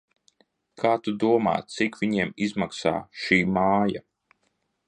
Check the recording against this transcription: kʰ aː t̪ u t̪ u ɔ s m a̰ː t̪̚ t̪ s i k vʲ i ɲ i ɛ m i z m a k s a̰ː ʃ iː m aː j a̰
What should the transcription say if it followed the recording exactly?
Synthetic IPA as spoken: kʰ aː t̪ u d̪ u ɔ m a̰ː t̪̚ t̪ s i k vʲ i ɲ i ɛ m i z m a k s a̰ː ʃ iː m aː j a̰